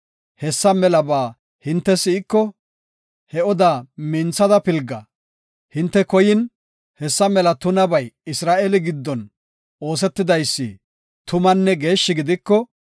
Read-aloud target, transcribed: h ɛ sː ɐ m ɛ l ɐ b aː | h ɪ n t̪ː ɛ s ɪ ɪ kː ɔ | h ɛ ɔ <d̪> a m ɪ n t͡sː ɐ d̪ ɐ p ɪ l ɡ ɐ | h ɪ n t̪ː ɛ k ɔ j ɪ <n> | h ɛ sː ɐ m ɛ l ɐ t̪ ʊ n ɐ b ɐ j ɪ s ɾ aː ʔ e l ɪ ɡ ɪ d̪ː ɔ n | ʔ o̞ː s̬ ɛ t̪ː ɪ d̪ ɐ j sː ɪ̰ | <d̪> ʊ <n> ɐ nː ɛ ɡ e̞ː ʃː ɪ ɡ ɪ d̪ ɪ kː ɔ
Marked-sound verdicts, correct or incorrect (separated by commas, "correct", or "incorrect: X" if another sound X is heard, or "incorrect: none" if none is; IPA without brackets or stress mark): correct, correct, incorrect: t̪, incorrect: m